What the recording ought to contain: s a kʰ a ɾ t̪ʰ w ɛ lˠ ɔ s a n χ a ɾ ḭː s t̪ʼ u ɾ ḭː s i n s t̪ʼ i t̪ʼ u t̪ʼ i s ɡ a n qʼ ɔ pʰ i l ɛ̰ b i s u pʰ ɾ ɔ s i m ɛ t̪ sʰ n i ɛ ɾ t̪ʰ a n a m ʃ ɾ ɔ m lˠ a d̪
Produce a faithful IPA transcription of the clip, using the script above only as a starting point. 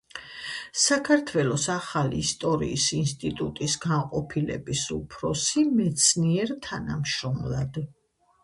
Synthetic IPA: s a kʰ a ɾ t̪ʰ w ɛ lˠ ɔ s a χ a l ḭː s t̪ʼ ɔ ɾ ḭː s i n s t̪ʼ i t̪ʼ u t̪ʼ i s ɡ a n qʼ ɔ pʰ i l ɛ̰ b i s u pʰ ɾ ɔ s i m ɛ t̪ sʰ n i ɛ ɾ t̪ʰ a n a m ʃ ɾ ɔ m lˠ a d̪